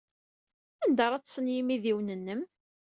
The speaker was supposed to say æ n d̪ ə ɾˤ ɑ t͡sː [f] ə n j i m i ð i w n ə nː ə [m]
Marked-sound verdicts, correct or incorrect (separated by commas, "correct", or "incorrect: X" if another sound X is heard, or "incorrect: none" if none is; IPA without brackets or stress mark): incorrect: s, correct